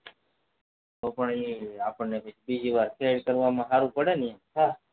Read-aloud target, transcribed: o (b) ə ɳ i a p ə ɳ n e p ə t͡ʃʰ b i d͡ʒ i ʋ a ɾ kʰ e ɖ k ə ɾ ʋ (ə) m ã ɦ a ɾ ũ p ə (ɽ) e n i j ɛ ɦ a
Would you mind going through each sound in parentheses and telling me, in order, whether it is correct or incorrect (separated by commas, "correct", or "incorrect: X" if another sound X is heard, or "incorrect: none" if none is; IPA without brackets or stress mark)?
incorrect: p, incorrect: a, correct